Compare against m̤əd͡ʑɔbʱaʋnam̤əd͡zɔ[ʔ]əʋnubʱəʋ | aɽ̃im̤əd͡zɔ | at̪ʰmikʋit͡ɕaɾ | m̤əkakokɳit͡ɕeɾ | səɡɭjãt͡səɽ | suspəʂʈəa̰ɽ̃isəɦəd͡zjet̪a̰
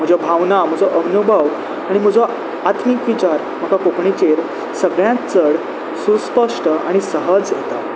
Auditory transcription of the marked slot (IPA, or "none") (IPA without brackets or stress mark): ʔ